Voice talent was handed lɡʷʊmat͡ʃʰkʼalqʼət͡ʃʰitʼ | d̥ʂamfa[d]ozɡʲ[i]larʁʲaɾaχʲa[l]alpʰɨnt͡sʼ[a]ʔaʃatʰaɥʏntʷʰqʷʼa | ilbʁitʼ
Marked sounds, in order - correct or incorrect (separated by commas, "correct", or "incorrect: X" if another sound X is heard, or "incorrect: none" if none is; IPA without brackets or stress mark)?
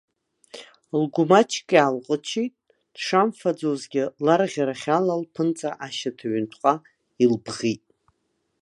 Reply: incorrect: d͡z, incorrect: ɪ, correct, correct